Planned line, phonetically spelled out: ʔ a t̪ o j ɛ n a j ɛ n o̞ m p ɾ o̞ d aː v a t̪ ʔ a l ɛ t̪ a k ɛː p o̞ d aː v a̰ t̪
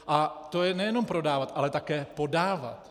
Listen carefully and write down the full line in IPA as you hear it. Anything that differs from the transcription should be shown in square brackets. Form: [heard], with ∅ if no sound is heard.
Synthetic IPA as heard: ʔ a t̪ o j ɛ n [ɛ] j ɛ n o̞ m p ɾ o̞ d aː v a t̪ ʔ a l ɛ t̪ a k ɛː p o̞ d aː v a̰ t̪